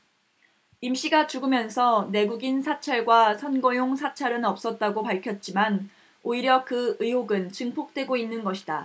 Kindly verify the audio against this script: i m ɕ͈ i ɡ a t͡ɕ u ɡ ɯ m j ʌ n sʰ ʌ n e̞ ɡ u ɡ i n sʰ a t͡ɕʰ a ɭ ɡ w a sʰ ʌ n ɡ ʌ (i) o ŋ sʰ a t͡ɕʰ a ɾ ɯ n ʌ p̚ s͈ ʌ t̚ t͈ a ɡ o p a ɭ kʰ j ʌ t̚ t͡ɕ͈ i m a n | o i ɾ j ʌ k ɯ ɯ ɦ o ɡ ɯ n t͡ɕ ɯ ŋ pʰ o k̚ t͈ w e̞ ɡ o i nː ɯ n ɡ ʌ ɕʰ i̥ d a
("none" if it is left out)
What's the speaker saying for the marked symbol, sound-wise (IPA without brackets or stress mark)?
j